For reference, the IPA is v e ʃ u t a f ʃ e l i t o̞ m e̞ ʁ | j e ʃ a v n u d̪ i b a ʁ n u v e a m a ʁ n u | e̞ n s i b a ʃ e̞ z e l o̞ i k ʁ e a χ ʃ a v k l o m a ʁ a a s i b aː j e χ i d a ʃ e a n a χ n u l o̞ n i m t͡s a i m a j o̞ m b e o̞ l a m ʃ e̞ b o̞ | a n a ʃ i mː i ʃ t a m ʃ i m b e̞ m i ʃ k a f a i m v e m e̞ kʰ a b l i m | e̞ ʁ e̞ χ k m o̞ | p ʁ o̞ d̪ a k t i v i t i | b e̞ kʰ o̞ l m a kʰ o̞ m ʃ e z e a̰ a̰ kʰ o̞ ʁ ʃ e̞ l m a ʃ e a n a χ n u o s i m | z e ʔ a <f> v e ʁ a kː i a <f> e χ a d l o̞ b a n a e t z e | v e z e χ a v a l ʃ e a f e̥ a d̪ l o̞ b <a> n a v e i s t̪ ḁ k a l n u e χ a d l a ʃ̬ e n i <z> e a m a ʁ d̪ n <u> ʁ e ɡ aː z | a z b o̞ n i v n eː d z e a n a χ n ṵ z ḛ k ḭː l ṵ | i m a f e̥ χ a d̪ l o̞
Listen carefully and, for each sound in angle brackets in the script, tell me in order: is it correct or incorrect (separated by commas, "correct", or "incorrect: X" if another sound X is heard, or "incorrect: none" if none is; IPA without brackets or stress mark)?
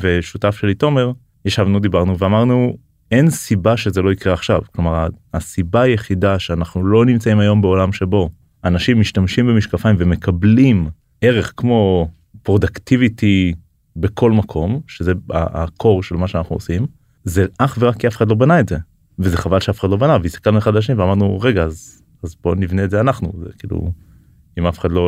incorrect: χ, correct, correct, incorrect: v, correct